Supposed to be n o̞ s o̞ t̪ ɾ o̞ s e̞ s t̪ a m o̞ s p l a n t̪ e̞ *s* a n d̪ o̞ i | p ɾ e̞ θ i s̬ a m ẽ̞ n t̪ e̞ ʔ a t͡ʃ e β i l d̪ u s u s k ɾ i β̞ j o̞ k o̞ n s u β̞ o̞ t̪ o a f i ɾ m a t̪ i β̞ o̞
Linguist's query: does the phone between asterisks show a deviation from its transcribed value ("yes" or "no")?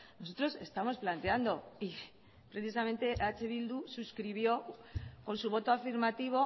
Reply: yes